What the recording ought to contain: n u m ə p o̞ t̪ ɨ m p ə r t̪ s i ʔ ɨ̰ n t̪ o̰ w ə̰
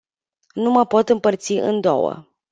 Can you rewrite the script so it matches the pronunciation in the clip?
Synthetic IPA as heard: n u m ə p o̞ t̪ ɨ m p ə r t̪ s i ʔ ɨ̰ n d̪ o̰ w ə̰